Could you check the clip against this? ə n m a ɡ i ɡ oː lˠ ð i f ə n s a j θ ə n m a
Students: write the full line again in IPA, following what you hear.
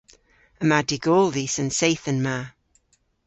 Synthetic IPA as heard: ə m a d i ɡ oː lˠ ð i s ə n s e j θ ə n m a